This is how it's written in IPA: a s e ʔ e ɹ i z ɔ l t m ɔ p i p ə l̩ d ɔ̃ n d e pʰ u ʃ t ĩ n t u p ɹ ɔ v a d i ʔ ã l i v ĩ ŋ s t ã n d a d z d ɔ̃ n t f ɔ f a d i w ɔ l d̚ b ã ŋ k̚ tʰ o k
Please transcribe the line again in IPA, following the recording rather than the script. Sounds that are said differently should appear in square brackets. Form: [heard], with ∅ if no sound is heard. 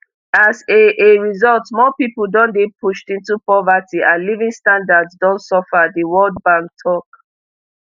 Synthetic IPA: a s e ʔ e ɹ i z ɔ l t m ɔ p i p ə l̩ d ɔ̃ n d e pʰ u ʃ t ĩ n t u p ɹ ɔ v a [t] i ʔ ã l i v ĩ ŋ s t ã n d a d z d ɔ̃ n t [s] ɔ f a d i w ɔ l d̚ b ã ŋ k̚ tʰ [ɔ] k